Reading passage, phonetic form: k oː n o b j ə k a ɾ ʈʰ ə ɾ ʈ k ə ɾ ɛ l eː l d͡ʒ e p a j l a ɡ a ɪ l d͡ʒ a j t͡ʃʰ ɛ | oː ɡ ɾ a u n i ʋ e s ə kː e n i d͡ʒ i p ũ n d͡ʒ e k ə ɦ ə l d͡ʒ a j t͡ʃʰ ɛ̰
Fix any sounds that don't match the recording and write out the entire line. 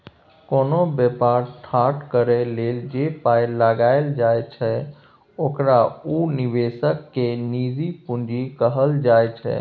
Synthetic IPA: k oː n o b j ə p a ɾ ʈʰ a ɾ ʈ k ə ɾ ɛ l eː l d͡ʒ e p a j l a ɡ a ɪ l d͡ʒ a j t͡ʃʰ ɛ | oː k ɾ a u n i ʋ e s ə kː e n i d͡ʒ i p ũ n d͡ʒ i k ə ɦ ə l d͡ʒ a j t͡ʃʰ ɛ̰

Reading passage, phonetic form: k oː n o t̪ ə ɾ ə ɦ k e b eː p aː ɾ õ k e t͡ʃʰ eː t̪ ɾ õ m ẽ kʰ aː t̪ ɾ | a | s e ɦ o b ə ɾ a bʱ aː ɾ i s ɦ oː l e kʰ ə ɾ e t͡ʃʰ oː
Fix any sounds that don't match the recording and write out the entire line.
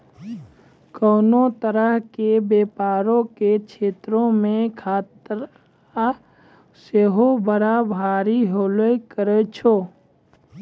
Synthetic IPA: k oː n o t̪ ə ɾ ə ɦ k e b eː p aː ɾ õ k e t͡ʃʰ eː t̪ ɾ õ m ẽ kʰ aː t̪ ɾ | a | s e ɦ o b ə ɾ a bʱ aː ɾ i ɦ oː l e k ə ɾ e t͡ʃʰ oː

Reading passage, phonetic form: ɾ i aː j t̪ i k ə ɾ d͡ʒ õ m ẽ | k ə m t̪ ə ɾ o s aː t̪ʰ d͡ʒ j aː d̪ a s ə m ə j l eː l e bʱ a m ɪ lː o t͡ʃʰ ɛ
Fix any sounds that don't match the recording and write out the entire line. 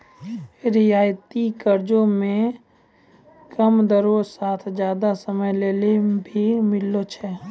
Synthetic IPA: ɾ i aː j t̪ i k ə ɾ d͡ʒ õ m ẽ | k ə m d̪ ə ɾ o s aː t̪ʰ d͡ʒ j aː d̪ a s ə m ə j l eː l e bʱ i m ɪ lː o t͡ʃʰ ɛ

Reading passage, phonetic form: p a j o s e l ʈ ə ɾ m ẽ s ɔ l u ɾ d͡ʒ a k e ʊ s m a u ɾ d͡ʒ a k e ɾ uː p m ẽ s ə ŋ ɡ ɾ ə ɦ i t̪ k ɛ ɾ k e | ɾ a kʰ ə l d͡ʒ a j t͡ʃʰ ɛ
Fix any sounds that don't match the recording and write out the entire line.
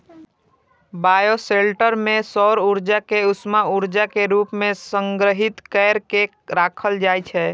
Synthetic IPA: b a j o s e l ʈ ə ɾ m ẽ s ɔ ɾ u ɾ d͡ʒ a k e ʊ s m a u ɾ d͡ʒ a k e ɾ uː p m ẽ s ə ŋ ɡ ɾ ə ɦ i t̪ k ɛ ɾ k e | ɾ a kʰ ə l d͡ʒ a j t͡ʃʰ ɛ

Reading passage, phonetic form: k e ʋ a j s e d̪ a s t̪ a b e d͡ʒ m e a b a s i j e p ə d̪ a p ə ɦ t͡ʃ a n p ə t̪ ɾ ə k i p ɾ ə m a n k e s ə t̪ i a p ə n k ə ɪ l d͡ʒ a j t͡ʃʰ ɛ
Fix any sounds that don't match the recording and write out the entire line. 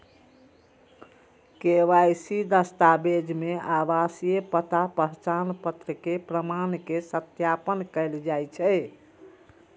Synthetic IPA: k e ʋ a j s i d̪ ə s t̪ a b e d͡ʒ m e a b a s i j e p ə t̪ a p ə ɦ t͡ʃ a n p ə t̪ ɾ ə k e p ɾ ə m a n k e s ə t̪ j a p ə n k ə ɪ l d͡ʒ a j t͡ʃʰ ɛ

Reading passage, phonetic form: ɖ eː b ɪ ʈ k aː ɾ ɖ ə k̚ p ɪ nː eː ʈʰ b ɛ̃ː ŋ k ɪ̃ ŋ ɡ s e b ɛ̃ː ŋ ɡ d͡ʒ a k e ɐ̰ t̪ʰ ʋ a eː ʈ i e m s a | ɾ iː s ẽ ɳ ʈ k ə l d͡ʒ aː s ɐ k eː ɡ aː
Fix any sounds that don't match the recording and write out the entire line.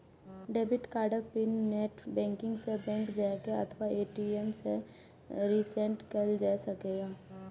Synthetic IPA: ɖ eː b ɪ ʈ k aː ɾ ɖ ə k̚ p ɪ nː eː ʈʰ b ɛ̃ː ŋ k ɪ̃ ŋ ɡ s e b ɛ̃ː ŋ k d͡ʒ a k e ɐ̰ t̪ʰ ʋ a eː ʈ i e m s e | ɾ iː s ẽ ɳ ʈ k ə l d͡ʒ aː s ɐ k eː ɡ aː

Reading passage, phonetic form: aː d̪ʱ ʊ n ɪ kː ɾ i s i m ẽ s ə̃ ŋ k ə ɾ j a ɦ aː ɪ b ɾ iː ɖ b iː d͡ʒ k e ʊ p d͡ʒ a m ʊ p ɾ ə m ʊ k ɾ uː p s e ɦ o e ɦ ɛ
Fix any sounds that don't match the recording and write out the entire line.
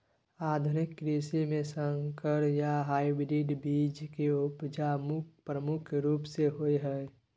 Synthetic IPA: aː d̪ʱ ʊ n ɪ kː ɾ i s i m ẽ s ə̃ ŋ k ə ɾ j a ɦ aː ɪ b ɾ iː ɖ b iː d͡ʒ k e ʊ p d͡ʒ a m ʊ p ɾ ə m ʊ kʰ ɾ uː p s e ɦ o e ɦ ɛ

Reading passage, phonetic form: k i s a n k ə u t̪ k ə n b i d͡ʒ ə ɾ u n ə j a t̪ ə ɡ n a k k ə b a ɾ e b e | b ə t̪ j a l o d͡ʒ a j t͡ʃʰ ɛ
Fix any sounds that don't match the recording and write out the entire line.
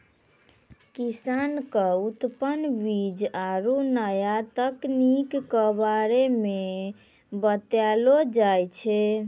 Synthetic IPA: k i s a n k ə u t̪ p ə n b i d͡ʒ a ɾ u n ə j a t̪ ə k n i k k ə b a ɾ e m e | b ə t̪ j a l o d͡ʒ a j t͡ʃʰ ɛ

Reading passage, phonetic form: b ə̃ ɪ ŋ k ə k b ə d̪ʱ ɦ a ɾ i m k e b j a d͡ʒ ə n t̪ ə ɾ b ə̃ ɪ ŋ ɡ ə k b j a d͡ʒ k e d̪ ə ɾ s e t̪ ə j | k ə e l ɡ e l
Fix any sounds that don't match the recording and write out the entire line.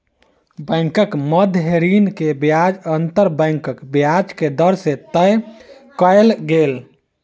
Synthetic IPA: b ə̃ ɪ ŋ k ə k m ə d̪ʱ ɦ e ɾ i n k e b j a d͡ʒ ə n t̪ ə ɾ b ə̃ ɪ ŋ k ə k b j a d͡ʒ k e d̪ ə ɾ s e t̪ ə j | k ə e l ɡ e l

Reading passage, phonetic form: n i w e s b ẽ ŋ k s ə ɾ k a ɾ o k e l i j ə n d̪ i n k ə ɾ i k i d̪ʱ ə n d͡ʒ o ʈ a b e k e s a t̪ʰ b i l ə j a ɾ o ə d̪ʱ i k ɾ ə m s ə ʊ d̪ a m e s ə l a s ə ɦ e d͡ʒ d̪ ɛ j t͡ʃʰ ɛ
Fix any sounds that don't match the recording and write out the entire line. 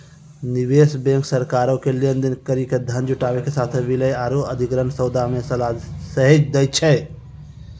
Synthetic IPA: n i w e s b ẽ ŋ k s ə ɾ k a ɾ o k e l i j ə n d̪ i n k ə ɾ i k e d̪ʱ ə n d͡ʒ u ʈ a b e k e s a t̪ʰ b i l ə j a ɾ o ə d̪ʱ i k ɾ ə n s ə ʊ d̪ a m e s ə l a s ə ɦ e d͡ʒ d̪ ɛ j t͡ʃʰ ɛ

